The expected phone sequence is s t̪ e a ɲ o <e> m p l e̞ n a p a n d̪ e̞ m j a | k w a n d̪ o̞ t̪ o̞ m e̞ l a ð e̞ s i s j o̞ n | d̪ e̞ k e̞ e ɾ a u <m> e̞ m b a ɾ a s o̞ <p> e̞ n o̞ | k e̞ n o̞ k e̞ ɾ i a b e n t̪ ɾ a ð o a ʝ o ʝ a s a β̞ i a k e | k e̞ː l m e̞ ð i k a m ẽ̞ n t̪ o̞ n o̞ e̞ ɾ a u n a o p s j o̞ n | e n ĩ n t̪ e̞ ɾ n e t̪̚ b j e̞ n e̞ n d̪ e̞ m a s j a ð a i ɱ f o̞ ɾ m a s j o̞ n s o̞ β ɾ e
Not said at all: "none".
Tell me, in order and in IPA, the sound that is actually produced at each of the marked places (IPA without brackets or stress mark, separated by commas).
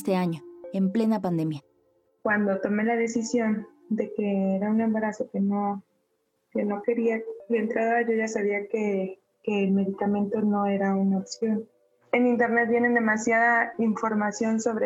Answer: e, n, k